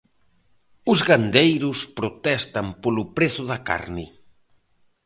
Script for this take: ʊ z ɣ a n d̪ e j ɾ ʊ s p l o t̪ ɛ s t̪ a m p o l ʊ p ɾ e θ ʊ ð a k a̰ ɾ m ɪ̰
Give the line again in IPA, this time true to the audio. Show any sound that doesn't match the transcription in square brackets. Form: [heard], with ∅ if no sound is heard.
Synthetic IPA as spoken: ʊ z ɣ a n d̪ e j ɾ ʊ s p [ɾ] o t̪ ɛ s t̪ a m p o l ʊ p ɾ e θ ʊ ð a k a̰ ɾ [n] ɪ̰